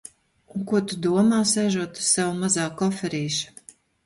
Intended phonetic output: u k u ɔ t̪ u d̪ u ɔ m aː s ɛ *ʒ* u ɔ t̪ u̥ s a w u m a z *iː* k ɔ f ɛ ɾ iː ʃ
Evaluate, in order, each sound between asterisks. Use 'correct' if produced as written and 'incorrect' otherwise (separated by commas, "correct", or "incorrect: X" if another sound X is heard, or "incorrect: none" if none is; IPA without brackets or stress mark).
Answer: correct, incorrect: aː